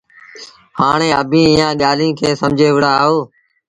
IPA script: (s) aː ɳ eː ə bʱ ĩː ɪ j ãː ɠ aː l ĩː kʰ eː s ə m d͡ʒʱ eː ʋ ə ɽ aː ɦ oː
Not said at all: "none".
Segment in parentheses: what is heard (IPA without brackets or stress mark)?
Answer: h